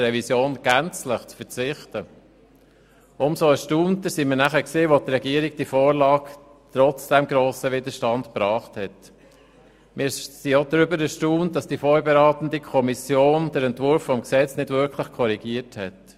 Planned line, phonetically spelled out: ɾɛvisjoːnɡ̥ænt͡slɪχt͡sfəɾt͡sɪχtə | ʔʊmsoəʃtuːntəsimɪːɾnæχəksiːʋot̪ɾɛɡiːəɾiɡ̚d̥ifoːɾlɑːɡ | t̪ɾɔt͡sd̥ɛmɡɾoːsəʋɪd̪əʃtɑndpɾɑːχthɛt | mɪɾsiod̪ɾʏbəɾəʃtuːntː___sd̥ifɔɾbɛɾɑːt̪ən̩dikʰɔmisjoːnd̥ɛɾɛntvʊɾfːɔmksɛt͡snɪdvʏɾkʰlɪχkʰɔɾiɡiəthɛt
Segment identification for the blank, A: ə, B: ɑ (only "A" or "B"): B